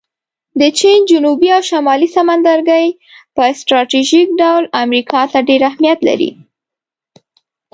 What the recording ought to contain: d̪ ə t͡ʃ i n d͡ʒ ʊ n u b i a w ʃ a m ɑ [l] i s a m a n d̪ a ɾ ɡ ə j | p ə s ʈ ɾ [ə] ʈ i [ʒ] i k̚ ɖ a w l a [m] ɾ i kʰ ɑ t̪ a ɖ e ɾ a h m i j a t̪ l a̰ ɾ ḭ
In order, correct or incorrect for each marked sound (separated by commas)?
correct, incorrect, correct, correct